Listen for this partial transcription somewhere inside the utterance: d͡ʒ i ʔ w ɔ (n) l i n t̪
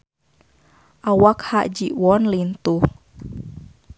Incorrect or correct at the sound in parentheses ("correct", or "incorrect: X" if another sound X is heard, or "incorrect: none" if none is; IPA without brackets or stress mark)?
correct